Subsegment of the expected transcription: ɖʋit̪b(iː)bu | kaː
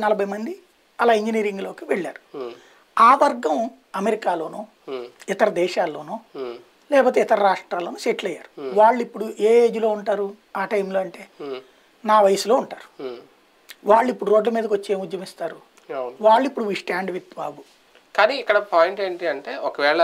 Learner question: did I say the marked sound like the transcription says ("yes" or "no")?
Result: no